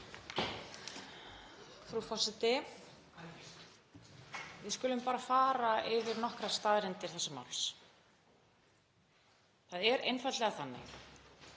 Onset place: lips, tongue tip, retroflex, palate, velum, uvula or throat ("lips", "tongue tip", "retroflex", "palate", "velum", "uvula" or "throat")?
lips